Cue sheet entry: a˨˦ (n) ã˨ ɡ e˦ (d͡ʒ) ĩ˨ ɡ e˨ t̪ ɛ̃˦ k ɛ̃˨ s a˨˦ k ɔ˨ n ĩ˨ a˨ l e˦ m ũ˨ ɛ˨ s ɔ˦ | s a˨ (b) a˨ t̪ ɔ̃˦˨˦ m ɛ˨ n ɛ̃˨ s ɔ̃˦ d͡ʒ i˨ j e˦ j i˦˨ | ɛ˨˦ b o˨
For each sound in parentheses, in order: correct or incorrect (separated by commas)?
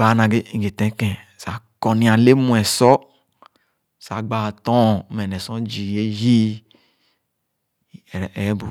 correct, incorrect, incorrect